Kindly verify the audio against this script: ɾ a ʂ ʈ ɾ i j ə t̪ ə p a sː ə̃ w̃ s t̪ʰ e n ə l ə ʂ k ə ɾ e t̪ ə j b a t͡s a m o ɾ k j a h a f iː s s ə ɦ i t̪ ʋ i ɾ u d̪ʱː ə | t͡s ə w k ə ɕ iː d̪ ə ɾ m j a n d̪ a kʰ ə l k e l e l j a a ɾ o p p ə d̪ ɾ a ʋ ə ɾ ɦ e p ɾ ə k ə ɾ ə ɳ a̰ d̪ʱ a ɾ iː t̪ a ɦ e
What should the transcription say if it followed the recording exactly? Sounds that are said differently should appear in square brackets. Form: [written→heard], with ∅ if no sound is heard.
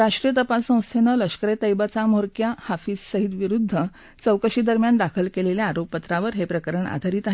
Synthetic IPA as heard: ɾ a ʂ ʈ ɾ i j ə t̪ ə p a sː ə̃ w̃ s t̪ʰ e n ə l ə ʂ k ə ɾ e t̪ ə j b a t͡s a m o ɾ k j a h a f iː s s ə ɦ i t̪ ʋ i ɾ u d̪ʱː ə | t͡s ə w k ə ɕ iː d̪ ə ɾ m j a n d̪ a kʰ ə l k e l e l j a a ɾ o p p ə [d̪→t̪] ɾ a ʋ ə ɾ ɦ e p ɾ ə k ə ɾ ə ɳ a̰ d̪ʱ a ɾ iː t̪ a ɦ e

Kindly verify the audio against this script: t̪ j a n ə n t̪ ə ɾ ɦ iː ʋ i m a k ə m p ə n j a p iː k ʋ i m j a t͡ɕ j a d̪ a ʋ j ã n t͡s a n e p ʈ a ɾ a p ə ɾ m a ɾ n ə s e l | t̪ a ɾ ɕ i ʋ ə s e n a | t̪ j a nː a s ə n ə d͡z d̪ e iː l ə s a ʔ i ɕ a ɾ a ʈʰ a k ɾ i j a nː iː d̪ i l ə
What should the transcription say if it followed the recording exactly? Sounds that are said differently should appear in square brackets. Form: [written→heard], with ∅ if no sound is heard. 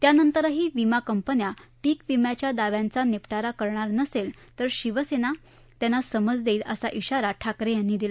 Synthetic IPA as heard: t̪ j a n ə n t̪ ə ɾ ɦ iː ʋ i m a k ə m p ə n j a p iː k ʋ i m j a t͡ɕ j a d̪ a ʋ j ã n t͡s a n e p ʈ a ɾ a [p→k] ə ɾ [m→ɳ] a ɾ n ə s e l | t̪ [a→ə] ɾ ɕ i ʋ ə s e n a | t̪ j a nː a s ə [n→m] ə d͡z d̪ e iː l ə s a ʔ i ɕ a ɾ a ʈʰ a k ɾ [i→e] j a nː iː d̪ i l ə

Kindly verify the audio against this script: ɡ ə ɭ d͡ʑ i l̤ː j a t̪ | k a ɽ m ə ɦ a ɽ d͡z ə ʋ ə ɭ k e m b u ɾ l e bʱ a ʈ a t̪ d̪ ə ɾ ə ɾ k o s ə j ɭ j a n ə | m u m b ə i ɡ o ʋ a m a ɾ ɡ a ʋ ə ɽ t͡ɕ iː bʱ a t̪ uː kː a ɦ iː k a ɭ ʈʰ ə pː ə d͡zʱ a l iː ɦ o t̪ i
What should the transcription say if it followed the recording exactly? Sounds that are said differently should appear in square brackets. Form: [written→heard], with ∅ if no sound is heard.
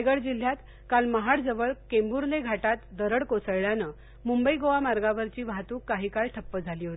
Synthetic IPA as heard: ɡ ə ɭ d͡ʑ i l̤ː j a t̪ | k a [ɽ→l] m ə ɦ a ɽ d͡z ə ʋ ə ɭ k e m b u ɾ l e [bʱ→ɡʱ] a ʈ a t̪ d̪ ə ɾ ə [ɾ→ɽ] k o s ə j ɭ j a n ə | m u m b ə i ɡ o ʋ a m a ɾ ɡ a ʋ ə [ɽ→ɾ] t͡ɕ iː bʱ a t̪ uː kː a ɦ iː k a ɭ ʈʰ ə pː ə d͡zʱ a l iː ɦ o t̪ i

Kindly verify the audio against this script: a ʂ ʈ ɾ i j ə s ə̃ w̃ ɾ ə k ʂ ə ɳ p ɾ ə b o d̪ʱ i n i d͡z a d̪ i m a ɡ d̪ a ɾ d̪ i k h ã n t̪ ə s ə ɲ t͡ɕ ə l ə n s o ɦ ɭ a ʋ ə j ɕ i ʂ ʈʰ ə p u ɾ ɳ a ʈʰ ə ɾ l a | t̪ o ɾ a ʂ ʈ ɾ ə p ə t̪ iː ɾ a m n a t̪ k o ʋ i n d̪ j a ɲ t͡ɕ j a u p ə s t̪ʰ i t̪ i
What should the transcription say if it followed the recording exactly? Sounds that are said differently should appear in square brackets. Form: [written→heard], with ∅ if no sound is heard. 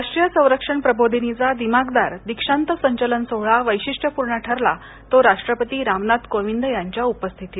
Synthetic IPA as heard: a ʂ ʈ ɾ i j ə s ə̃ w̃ ɾ ə k ʂ ə ɳ p ɾ ə b o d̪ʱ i n i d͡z a d̪ i m a ɡ d̪ a ɾ d̪ i k [h→ʂ] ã n t̪ ə s ə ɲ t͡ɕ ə l ə n s o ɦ ɭ a ʋ ə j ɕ i ʂ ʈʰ ə p u ɾ ɳ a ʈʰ ə ɾ l a | t̪ o ɾ a ʂ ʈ ɾ ə p ə t̪ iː ɾ a m n a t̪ k o ʋ i n d̪ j a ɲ t͡ɕ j a u p ə s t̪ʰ i t̪ i

